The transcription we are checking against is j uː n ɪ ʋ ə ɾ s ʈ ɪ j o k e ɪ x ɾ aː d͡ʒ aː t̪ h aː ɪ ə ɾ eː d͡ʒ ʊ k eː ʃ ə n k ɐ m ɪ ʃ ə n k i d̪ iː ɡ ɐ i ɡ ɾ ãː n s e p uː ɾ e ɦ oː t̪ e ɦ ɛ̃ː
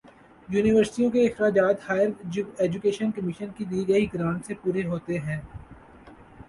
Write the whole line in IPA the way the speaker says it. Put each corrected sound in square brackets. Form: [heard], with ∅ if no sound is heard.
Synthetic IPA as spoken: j uː n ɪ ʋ ə ɾ s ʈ [i] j [õ] k e ɪ x ɾ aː d͡ʒ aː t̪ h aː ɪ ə ɾ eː d͡ʒ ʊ k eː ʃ ə n k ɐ m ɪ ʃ ə n k i d̪ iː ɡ ɐ i ɡ ɾ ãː n s e p uː ɾ e ɦ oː t̪ e ɦ ɛ̃ː

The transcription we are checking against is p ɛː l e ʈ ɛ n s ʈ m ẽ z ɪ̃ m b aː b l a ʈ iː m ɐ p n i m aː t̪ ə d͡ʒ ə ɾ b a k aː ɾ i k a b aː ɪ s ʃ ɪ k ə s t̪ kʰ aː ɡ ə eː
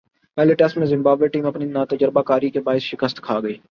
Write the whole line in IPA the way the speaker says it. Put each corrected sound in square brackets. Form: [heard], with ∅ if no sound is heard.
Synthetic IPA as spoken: p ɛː l e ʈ ɛ [∅] s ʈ m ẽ z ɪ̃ m b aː b l [e] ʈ iː m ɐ p n i [n] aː t̪ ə d͡ʒ ə ɾ b a k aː ɾ i k [e] b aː ɪ s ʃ ɪ k ə s t̪ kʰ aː ɡ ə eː

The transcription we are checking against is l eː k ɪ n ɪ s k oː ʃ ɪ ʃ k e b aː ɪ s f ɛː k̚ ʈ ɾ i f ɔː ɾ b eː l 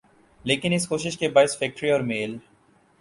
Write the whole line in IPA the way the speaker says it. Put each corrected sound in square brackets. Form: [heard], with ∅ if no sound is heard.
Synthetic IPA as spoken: l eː k ɪ n ɪ s k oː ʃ ɪ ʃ k e b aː ɪ s f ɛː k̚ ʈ ɾ i [∅] ɔː ɾ [m] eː l

